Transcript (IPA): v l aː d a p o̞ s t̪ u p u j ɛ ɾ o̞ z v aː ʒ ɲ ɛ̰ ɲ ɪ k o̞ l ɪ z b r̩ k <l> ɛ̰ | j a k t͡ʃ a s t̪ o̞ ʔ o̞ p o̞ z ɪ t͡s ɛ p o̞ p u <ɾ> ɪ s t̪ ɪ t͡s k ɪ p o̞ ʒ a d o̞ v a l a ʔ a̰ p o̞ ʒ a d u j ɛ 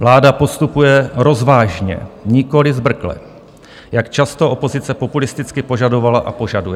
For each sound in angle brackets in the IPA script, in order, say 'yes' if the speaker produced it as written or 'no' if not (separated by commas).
yes, no